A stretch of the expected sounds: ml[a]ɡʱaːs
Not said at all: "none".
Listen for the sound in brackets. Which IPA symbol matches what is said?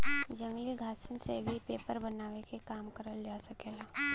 i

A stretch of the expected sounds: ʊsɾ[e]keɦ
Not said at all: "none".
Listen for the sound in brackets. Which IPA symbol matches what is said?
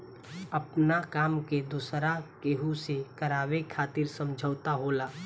a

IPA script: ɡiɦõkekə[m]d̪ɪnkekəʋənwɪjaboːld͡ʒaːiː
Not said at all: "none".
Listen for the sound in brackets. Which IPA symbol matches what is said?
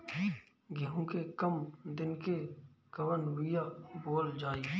m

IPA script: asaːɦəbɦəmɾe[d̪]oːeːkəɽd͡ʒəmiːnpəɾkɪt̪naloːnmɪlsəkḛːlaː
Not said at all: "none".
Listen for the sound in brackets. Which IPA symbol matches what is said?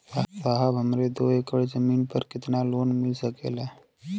d̪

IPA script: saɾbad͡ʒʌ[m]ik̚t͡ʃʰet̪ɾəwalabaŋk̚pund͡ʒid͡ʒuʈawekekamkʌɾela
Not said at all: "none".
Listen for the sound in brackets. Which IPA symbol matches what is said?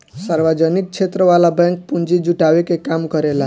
n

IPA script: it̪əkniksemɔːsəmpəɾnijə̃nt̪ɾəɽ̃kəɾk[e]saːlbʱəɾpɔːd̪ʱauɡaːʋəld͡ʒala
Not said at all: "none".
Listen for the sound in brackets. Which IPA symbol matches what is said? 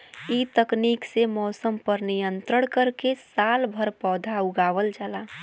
e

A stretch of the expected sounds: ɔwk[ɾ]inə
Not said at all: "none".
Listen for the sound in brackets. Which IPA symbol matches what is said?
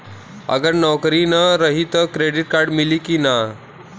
ɾ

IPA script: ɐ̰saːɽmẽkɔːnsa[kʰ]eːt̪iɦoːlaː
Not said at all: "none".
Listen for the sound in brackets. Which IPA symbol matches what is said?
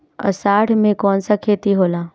kʰ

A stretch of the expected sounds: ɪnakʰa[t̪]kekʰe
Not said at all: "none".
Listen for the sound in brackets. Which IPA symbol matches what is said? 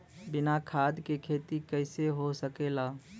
d̪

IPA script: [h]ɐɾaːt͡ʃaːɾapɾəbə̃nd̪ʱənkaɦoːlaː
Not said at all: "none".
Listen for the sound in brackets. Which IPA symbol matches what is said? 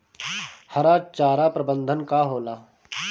h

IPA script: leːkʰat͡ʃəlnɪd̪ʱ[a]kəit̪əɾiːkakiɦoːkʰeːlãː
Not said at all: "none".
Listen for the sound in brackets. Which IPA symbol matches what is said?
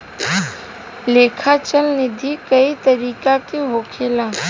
i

